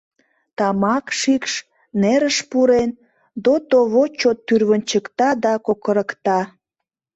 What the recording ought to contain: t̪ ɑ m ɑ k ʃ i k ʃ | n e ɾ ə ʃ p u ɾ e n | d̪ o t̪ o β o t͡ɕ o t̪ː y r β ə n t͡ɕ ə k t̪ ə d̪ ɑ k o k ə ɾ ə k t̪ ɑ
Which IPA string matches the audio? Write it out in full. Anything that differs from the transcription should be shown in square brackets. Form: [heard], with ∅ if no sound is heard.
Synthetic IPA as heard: t̪ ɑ m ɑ k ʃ i k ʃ | n e ɾ ə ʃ p u ɾ e n | d̪ o t̪ o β o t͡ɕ o t̪ː y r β ə n t͡ɕ ə k t̪ [ɑ] d̪ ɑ k o k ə ɾ ə k t̪ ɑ